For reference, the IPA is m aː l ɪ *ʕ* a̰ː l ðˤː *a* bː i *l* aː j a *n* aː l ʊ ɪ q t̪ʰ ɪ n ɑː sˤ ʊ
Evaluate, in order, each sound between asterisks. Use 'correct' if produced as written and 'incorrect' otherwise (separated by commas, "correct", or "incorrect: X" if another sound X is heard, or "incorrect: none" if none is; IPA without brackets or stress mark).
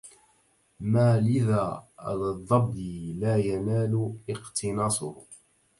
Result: incorrect: ð, incorrect: ɑ, correct, correct